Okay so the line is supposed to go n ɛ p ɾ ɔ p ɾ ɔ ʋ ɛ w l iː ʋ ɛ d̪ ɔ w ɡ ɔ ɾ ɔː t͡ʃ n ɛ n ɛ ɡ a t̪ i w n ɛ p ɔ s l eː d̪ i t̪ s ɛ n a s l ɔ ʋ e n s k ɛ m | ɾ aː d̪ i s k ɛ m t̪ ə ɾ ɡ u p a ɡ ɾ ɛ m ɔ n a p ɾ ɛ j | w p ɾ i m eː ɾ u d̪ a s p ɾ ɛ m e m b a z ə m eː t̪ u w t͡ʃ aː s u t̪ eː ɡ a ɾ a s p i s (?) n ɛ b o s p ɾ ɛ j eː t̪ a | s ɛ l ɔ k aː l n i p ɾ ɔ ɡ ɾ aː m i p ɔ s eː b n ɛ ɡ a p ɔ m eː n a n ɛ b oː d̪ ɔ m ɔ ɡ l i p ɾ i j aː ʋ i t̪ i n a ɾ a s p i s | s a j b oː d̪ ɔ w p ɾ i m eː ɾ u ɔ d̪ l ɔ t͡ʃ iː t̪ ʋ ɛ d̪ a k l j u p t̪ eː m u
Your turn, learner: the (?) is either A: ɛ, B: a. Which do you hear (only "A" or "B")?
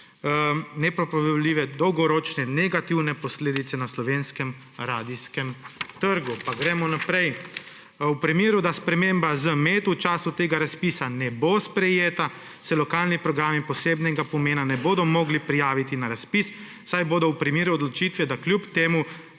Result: B